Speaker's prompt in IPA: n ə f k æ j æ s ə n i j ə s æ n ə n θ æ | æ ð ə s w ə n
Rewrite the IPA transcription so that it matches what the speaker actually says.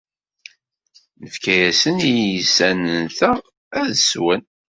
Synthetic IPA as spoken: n ə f k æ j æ s ə n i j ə s æ n ə n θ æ | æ ð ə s w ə n